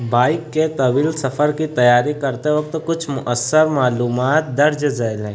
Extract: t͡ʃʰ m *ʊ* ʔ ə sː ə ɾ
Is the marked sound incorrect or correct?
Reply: correct